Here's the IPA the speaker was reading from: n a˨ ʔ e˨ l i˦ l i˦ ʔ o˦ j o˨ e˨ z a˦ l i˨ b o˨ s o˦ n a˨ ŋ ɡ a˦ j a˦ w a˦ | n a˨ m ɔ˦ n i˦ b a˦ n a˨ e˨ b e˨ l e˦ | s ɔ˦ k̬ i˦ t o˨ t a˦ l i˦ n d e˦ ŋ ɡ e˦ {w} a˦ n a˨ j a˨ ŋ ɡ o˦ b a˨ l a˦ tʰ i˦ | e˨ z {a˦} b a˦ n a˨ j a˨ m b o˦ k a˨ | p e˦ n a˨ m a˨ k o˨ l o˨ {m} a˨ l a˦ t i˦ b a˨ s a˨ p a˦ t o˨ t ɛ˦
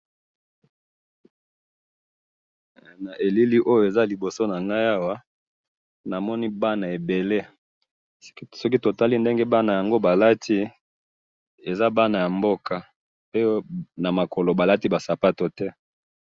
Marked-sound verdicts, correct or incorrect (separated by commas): incorrect, correct, incorrect